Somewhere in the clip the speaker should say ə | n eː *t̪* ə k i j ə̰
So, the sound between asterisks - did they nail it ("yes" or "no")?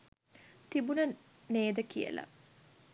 no